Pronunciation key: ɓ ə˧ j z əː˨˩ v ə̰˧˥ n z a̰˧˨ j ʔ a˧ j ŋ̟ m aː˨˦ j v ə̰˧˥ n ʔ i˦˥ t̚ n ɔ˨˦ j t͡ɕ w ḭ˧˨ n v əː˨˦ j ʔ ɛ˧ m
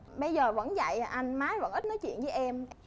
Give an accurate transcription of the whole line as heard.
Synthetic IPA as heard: ɓ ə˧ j z əː˨˩ v ə̰˧˥ n z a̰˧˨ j ʔ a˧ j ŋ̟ m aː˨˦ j v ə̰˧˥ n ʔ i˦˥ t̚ n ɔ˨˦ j t͡ɕ w ḭ˧˨ n v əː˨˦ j ʔ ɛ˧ m